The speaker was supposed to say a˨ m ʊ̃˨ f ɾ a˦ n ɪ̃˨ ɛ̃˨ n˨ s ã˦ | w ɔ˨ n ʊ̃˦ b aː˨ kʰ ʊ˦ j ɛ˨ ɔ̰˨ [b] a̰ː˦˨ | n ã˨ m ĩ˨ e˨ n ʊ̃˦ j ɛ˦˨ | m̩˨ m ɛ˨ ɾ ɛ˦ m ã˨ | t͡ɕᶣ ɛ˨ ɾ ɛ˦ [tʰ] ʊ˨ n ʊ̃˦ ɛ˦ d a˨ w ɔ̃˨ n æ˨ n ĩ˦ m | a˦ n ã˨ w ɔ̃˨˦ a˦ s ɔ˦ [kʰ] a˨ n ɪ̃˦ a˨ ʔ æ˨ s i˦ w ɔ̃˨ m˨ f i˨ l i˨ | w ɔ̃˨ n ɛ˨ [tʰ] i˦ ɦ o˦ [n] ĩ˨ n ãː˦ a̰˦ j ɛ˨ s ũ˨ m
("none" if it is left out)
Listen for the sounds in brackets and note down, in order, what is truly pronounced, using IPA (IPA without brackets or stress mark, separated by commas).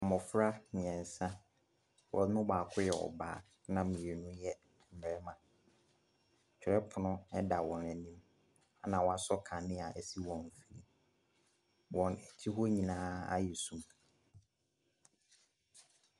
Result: b, pʰ, kʰ, tʰ, ɲ